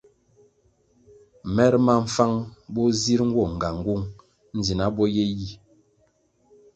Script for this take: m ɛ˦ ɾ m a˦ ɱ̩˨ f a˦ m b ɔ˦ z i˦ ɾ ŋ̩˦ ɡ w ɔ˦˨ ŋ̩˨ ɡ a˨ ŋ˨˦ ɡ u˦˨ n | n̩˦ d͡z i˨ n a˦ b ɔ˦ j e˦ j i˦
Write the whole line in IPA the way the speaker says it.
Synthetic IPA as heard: m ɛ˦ ɾ m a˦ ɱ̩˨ f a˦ ŋ b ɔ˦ z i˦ ɾ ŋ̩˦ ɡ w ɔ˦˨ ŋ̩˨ ɡ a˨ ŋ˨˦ ɡ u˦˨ ŋ | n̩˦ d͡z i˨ n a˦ b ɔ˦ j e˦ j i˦